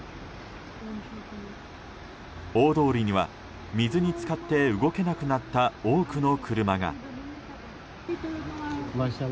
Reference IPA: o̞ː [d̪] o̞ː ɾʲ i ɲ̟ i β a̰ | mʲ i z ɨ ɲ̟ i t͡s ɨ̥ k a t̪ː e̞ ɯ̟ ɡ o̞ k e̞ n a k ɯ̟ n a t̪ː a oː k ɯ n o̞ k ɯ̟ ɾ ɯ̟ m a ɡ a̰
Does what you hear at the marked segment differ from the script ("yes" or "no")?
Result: no